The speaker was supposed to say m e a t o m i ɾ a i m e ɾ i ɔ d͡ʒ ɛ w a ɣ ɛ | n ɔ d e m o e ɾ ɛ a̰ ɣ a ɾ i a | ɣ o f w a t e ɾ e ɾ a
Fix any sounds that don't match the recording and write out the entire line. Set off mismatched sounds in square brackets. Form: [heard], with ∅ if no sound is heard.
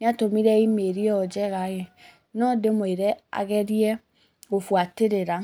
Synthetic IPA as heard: [n] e a t o m i ɾ [ɛ] i m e ɾ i ɔ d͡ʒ ɛ [ɣ] a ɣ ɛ | n ɔ d e m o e ɾ ɛ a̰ ɣ [ɛ] ɾ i [ɛ] | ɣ o f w a t e ɾ e ɾ a